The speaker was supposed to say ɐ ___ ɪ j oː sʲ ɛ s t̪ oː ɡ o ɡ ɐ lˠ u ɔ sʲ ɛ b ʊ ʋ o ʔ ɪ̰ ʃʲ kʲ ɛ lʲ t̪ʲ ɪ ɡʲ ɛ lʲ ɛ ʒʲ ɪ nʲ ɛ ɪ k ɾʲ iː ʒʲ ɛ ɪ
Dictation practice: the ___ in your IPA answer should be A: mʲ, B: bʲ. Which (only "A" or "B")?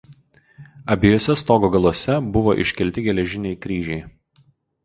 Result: B